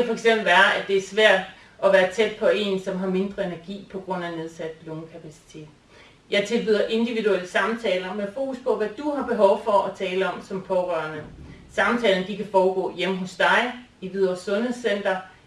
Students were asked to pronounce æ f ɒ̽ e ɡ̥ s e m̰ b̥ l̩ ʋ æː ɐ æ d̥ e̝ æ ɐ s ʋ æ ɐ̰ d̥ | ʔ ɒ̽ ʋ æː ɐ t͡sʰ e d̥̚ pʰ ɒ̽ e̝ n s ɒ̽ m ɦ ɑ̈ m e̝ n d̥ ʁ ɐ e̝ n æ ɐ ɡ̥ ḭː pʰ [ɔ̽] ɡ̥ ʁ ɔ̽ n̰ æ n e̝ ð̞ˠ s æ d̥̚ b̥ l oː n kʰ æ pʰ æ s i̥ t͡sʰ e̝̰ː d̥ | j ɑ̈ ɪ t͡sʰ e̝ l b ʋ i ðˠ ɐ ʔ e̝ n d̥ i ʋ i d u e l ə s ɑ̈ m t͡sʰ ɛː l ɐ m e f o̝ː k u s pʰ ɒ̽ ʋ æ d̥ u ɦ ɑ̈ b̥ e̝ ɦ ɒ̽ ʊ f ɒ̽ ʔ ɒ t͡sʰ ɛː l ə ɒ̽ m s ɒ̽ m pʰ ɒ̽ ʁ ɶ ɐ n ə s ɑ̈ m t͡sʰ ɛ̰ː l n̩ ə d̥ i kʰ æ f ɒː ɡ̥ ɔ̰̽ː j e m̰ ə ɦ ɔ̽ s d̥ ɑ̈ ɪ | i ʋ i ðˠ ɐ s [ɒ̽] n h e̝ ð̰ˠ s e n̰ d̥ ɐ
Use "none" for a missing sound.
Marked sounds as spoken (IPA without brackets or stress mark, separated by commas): ɒ̽, ɔ̽